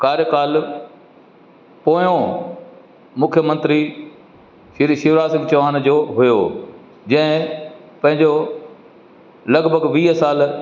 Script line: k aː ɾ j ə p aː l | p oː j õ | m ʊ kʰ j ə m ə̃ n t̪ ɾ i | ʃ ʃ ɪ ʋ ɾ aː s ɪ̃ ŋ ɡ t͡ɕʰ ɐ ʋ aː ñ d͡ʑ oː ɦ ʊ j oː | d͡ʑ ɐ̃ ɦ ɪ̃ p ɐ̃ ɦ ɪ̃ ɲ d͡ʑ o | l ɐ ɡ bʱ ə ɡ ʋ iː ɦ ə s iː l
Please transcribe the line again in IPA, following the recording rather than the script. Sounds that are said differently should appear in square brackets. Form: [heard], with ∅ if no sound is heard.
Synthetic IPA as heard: k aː ɾ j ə [k] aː l | p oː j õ | m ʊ kʰ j ə m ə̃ n t̪ ɾ i | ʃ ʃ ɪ ʋ ɾ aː s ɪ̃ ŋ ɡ [t͡ɕ] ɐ ʋ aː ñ d͡ʑ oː ɦ ʊ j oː | d͡ʑ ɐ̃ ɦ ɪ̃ p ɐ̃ ɦ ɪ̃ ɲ d͡ʑ o | l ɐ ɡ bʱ ə ɡ ʋ iː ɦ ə s [aː] l